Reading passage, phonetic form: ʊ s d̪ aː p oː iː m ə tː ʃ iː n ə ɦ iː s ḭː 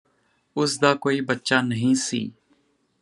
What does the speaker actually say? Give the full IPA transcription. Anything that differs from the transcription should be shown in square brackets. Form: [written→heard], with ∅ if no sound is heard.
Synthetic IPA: ʊ s d̪ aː [p→k] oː iː [m→b] ə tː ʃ [iː→aː] n ə ɦ [iː→ĩː] s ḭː